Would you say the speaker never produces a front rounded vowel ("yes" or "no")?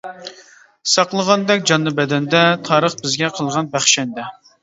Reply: yes